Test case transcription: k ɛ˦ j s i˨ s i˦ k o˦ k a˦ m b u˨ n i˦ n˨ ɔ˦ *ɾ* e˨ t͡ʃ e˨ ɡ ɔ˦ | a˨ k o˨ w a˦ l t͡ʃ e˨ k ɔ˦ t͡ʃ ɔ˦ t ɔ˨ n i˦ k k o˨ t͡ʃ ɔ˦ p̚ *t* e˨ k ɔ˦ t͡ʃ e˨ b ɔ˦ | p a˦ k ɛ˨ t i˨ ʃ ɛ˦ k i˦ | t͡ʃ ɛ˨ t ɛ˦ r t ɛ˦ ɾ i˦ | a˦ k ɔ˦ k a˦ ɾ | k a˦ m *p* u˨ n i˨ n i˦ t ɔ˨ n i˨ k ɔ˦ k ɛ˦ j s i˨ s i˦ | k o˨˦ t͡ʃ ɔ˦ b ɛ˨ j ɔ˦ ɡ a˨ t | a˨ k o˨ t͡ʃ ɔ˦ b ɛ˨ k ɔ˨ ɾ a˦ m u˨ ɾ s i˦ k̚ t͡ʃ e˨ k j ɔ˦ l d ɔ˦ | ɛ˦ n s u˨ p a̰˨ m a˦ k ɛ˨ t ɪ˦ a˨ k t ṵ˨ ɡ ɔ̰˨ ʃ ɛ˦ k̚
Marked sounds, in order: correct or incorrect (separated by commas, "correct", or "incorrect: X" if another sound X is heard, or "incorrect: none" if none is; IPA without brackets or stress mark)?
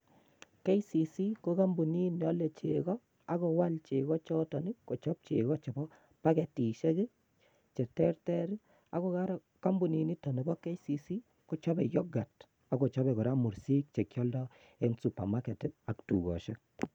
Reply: incorrect: l, incorrect: t͡ʃ, incorrect: b